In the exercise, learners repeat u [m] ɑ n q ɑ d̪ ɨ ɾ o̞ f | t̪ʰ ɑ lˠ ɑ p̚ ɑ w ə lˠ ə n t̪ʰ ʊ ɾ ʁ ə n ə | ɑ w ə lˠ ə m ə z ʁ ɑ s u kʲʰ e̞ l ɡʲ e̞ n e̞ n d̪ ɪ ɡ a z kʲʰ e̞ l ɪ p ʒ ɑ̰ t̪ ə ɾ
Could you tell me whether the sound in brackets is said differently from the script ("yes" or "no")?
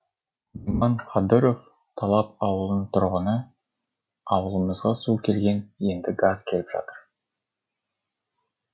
no